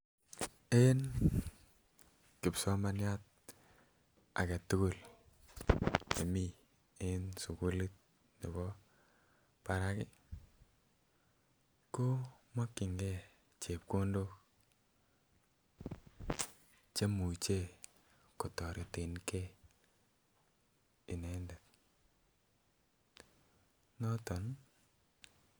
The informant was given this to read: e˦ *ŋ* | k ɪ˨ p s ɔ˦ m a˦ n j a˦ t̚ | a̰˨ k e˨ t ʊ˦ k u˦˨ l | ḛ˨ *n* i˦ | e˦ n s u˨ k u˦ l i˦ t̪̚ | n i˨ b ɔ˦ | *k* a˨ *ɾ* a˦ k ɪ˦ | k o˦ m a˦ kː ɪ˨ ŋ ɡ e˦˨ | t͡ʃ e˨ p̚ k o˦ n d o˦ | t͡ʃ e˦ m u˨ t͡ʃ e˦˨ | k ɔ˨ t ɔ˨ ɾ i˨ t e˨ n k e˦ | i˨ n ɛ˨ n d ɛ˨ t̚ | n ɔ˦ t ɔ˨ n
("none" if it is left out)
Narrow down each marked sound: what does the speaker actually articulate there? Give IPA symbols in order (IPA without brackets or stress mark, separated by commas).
n, m, p, ɾ